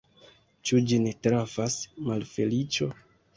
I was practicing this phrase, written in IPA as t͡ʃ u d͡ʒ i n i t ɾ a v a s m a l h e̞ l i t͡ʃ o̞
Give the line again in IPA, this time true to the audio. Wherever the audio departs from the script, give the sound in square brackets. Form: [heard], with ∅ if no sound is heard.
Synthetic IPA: t͡ʃ u d͡ʒ i n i t ɾ a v a s m a l [f] e̞ l i t͡ʃ o̞